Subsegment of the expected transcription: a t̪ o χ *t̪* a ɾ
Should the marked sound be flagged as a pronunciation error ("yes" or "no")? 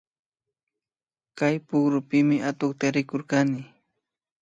no